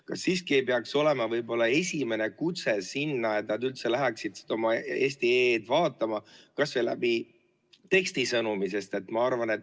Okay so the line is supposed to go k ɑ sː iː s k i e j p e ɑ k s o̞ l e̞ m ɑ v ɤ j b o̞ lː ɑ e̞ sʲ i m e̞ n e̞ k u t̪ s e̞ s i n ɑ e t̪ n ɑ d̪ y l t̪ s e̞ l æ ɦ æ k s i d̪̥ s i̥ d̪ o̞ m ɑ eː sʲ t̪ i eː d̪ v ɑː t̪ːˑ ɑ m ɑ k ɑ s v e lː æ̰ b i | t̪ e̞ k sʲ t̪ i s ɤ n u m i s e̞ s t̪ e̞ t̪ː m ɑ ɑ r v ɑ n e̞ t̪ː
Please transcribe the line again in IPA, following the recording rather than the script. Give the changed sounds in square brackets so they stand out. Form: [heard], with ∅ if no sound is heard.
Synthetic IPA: k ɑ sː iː s k i e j p e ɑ k s o̞ l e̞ m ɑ v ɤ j b o̞ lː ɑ e̞ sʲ i m e̞ n e̞ k u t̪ s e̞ s i [nː] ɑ e t̪ n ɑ d̪ y l t̪ s e̞ l æ ɦ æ k s i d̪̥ s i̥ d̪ o̞ m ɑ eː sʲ t̪ i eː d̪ v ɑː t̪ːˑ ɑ m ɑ k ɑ s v e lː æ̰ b i | t̪ e̞ k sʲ t̪ i s ɤ n u m i s e̞ s t̪ e̞ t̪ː m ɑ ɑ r v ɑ n e̞ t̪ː